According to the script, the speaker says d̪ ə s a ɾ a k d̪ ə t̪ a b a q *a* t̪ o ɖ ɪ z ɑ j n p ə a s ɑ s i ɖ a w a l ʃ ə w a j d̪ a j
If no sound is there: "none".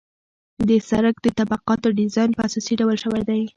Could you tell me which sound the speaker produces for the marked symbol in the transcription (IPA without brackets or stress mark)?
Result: ɑ